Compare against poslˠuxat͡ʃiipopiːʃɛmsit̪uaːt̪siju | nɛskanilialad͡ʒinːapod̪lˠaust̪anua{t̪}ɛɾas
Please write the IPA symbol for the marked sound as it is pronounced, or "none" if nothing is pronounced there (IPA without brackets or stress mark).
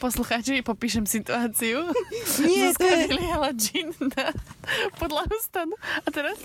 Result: t̪